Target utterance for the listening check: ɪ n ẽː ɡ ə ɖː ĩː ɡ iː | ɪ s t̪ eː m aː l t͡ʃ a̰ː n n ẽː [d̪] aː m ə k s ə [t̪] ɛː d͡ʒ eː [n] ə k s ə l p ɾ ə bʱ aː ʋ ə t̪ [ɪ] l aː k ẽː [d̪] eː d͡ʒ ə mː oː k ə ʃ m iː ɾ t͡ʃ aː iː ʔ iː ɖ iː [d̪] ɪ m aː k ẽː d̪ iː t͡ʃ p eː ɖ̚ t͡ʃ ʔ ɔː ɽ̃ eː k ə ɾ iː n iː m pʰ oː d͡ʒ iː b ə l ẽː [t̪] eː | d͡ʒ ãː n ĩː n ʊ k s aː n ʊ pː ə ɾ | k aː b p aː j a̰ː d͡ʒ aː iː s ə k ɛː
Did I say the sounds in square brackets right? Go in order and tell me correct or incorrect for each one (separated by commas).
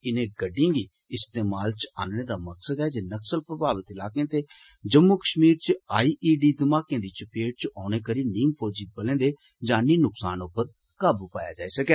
correct, incorrect, correct, correct, incorrect, correct, incorrect